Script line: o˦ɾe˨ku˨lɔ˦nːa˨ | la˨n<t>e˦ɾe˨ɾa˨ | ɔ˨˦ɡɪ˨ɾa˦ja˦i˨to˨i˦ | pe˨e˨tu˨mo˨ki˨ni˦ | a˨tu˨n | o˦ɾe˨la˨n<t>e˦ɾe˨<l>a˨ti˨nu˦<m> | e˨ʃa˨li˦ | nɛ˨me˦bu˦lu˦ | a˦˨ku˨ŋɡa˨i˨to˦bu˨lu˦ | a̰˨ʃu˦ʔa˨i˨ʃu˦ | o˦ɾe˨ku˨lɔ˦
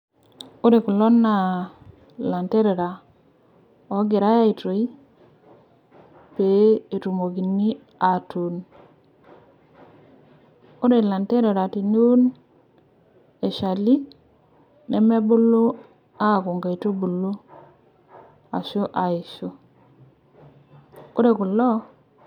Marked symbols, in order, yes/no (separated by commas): yes, yes, no, no